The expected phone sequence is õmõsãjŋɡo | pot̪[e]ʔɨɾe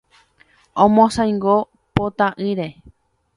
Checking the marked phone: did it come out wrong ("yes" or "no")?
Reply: yes